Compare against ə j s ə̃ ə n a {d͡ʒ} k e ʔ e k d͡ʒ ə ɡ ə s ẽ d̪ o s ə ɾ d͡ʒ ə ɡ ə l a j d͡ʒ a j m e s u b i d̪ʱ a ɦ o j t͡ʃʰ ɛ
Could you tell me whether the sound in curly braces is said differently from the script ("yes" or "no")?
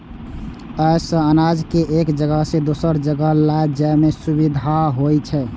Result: no